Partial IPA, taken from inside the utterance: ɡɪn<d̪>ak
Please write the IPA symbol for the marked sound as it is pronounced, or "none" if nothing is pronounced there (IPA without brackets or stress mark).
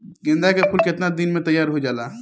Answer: d̪